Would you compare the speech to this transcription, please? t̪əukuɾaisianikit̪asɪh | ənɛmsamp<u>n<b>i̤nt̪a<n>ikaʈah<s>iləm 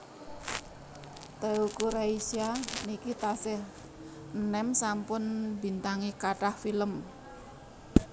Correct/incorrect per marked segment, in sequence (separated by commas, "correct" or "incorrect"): incorrect, correct, incorrect, incorrect